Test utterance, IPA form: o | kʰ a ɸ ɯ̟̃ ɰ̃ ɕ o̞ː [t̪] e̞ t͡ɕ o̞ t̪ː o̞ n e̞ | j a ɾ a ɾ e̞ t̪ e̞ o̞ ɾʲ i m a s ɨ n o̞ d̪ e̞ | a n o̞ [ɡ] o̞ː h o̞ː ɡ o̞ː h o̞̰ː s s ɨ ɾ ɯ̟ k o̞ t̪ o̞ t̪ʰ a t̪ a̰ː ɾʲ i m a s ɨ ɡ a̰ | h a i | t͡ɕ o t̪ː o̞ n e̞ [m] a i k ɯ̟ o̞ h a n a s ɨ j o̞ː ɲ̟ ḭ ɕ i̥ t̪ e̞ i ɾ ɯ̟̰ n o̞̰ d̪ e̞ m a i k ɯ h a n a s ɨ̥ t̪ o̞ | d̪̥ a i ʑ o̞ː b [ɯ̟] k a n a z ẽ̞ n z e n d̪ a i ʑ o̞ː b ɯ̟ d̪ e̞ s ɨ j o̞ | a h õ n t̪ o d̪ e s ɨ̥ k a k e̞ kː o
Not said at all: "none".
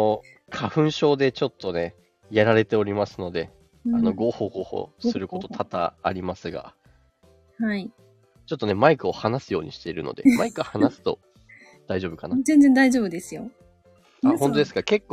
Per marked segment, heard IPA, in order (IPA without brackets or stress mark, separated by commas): d̪, ɡ, m, ɯ̟